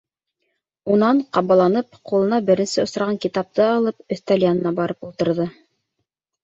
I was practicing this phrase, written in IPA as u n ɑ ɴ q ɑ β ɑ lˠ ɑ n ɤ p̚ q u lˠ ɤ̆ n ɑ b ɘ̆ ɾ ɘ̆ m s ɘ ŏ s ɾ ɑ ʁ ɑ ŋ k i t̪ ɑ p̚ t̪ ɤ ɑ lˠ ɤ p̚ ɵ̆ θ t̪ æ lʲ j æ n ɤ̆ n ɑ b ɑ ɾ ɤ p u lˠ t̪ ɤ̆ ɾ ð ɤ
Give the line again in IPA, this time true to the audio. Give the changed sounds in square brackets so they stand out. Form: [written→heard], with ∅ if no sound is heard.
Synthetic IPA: u n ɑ ɴ q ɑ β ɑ lˠ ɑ n ɤ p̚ q u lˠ ɤ̆ n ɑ b ɘ̆ ɾ ɘ̆ [m→n] s ɘ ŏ s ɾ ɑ ʁ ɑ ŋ k i t̪ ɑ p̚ t̪ ɤ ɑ lˠ ɤ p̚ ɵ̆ θ t̪ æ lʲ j [æ→a] n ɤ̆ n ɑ b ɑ ɾ ɤ p u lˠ t̪ ɤ̆ ɾ ð ɤ